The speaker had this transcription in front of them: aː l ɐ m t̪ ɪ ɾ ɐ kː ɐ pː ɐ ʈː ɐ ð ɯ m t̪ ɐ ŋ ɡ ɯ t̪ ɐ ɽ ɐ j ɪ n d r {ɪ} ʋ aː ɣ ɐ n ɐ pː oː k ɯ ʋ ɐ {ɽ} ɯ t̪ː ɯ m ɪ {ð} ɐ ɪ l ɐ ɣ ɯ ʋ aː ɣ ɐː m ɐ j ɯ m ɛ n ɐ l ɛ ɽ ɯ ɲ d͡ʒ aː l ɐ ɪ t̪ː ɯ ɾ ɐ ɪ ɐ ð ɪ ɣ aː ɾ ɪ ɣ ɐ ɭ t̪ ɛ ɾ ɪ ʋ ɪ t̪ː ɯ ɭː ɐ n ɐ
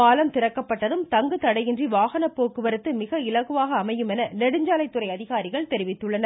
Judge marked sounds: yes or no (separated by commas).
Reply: no, no, no